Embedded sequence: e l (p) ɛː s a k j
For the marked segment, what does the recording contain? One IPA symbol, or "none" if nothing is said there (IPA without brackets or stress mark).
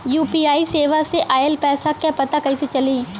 p